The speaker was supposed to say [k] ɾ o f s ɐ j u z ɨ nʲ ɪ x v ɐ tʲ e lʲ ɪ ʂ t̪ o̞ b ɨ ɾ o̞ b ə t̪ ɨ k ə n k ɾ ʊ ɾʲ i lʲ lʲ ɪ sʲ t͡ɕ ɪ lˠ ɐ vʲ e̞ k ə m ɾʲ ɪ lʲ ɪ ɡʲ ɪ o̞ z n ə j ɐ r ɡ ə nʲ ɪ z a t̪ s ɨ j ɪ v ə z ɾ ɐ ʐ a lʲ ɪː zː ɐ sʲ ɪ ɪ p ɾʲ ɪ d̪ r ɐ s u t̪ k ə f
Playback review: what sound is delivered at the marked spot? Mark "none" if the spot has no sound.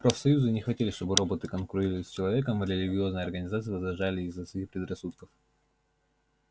p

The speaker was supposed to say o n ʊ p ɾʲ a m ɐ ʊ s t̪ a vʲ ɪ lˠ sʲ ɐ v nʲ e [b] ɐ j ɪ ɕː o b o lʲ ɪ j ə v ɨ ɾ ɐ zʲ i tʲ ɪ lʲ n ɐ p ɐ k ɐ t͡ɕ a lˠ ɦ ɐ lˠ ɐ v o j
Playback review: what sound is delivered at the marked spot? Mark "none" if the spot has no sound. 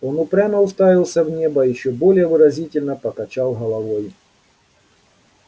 b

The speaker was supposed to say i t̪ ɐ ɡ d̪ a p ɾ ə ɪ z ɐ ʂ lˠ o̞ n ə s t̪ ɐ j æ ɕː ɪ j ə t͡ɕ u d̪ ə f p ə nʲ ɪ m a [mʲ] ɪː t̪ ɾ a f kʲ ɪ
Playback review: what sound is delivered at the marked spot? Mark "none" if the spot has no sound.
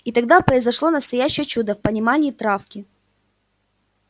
nʲ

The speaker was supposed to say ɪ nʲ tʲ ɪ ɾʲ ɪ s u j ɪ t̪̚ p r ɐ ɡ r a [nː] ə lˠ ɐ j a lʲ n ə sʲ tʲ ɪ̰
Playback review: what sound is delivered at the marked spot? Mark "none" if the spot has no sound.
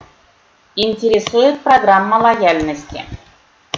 mː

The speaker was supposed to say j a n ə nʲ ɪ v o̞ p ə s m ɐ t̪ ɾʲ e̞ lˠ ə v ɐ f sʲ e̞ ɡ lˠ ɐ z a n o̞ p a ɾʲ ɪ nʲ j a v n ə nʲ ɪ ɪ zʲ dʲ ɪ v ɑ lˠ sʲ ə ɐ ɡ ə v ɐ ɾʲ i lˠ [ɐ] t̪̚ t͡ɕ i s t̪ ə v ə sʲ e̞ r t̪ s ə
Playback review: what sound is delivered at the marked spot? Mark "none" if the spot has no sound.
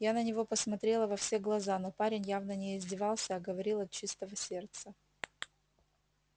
ɐ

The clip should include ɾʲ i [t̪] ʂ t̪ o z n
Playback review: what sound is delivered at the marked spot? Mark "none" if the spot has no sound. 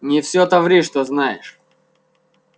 none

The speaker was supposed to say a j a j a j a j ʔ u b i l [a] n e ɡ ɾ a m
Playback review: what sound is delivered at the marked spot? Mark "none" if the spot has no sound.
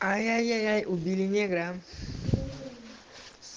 i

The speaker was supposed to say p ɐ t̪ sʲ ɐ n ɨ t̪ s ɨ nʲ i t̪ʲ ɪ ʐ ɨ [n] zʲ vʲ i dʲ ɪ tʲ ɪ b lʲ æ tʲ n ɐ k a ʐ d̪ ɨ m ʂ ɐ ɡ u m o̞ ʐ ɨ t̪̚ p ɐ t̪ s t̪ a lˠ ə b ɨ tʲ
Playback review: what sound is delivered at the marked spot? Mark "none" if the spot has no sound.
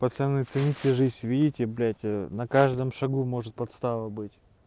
none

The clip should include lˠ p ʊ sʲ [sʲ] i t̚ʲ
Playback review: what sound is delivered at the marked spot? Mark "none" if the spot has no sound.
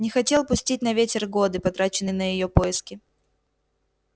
tʲ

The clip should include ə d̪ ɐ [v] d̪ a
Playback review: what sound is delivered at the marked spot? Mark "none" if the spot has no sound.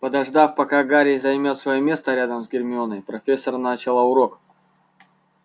ʐ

